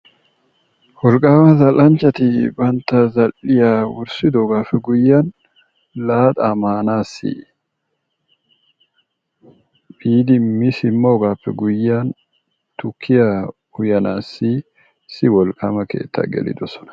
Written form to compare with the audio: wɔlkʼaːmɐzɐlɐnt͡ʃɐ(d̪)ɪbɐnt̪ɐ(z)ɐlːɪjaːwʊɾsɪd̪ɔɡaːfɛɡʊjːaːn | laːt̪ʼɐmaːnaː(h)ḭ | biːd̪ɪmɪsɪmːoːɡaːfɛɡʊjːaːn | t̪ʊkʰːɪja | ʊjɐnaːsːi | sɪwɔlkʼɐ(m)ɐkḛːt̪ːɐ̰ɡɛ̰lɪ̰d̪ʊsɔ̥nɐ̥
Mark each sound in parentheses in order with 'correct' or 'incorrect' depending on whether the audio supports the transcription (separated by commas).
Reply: incorrect, correct, incorrect, correct